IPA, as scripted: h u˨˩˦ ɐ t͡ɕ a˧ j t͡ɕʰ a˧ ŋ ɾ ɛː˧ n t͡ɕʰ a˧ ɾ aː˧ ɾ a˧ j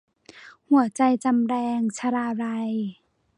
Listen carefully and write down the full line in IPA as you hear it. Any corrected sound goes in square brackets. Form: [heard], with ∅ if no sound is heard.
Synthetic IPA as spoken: h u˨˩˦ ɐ t͡ɕ a˧ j [t͡ɕ] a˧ [m] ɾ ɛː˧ [ŋ] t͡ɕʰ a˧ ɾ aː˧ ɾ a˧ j